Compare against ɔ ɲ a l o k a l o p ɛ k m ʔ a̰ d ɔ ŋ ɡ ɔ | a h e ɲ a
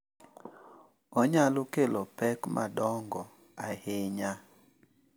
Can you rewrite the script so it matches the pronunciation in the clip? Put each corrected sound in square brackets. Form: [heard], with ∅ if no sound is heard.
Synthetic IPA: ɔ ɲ a l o k [e] l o p ɛ k m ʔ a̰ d ɔ ŋ ɡ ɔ | a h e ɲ a